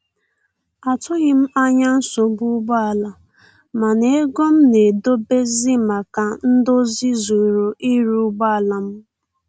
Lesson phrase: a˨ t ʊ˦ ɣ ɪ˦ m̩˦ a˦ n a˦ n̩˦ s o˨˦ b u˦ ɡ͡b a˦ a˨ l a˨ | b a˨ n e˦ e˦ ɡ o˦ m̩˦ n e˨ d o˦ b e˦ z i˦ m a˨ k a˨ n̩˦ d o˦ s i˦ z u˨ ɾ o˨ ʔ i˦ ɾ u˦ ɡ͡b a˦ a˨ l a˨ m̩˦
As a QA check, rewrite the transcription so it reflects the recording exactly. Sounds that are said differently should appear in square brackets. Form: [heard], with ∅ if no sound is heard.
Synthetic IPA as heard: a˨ t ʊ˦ ɣ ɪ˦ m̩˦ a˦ [ɲ] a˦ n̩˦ s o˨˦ b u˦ ɡ͡b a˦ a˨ l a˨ | [m] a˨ n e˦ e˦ ɡ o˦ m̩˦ n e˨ d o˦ b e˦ z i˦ m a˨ k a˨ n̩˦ d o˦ [z] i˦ z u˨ ɾ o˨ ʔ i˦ ɾ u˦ ɡ͡b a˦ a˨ l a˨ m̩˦